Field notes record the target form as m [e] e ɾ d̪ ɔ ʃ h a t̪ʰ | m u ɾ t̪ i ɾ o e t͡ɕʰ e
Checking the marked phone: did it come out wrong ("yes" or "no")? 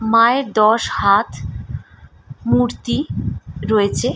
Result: yes